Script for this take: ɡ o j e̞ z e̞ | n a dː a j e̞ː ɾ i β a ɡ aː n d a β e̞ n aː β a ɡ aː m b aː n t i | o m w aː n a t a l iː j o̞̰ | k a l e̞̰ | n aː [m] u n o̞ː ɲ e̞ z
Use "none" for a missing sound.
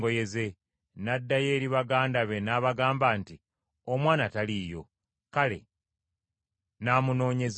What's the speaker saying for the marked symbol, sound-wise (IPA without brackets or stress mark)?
m